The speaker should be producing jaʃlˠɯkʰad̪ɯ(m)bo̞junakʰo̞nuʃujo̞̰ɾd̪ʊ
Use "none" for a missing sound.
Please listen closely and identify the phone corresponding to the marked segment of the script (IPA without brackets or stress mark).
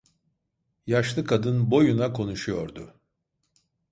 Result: n